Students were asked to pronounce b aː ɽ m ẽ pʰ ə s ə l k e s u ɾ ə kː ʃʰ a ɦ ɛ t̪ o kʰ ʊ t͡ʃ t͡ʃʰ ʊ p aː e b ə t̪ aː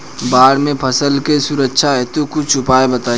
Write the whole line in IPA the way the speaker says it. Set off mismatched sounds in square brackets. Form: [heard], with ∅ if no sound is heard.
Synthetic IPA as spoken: b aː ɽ m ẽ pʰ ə s ə l k e s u ɾ ə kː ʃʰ a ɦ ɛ t̪ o [k] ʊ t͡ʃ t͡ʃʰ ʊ p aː e b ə t̪ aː

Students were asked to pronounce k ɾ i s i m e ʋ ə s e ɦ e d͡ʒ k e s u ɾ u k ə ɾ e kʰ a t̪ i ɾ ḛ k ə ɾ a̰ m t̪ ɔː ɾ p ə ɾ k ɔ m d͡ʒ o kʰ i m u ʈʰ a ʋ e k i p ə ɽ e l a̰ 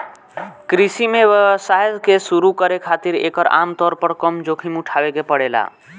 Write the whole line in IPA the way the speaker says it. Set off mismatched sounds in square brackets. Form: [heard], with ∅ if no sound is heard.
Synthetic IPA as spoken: k ɾ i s i m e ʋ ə s [a] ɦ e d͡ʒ k e s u ɾ u k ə ɾ e kʰ a t̪ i ɾ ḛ k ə ɾ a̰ m t̪ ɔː ɾ p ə ɾ k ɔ m d͡ʒ o kʰ i m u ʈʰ a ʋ e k [e] p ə ɽ e l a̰

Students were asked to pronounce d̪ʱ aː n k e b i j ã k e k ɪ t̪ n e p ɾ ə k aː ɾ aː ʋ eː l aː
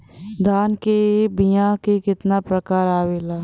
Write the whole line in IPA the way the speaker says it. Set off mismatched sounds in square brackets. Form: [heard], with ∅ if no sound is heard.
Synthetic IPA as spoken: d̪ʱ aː n k e b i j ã k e k ɪ t̪ n [a] p ɾ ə k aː ɾ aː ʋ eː l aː

